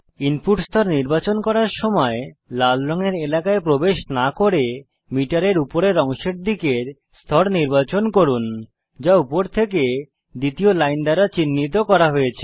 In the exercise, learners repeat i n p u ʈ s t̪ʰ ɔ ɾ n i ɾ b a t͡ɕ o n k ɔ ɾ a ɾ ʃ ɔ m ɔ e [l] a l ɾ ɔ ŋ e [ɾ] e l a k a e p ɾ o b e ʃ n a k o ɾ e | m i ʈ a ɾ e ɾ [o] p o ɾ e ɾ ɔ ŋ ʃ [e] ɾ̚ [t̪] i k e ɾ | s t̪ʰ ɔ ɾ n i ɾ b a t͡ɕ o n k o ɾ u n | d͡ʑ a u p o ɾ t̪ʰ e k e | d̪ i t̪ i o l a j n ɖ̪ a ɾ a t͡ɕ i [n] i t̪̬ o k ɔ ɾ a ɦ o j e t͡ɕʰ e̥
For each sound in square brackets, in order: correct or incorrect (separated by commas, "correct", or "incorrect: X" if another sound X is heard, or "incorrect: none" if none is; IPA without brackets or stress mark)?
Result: correct, correct, incorrect: u, correct, incorrect: d̪, incorrect: nː